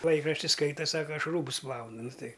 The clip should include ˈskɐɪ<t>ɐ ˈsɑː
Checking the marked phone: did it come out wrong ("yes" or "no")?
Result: no